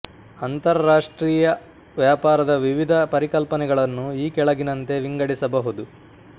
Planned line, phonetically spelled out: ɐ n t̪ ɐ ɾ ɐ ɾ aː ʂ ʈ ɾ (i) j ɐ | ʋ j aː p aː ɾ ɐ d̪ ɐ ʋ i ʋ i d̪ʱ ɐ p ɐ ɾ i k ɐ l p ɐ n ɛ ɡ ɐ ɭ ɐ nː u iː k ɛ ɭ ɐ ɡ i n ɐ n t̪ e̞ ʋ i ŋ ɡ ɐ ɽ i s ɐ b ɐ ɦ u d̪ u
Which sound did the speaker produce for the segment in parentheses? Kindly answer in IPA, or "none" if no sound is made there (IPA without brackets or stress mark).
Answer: iː